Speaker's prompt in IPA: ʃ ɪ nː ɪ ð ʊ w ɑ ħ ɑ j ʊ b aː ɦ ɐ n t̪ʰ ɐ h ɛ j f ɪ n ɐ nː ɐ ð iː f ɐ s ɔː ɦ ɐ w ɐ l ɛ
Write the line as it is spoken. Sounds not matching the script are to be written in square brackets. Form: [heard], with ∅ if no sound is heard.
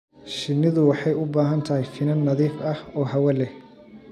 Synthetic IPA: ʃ ɪ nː ɪ ð ʊ w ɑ ħ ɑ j ʊ b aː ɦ ɐ n t̪ʰ ɐ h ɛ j f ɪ n ɐ nː ɐ ð iː f ɐ [h] ɔː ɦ ɐ w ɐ l ɛ